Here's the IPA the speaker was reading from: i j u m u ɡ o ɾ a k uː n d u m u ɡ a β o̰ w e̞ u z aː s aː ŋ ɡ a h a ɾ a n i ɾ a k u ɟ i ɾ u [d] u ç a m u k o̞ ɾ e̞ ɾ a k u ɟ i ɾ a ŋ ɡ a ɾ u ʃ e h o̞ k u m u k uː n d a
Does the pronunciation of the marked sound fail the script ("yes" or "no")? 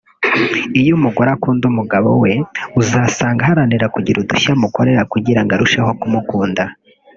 no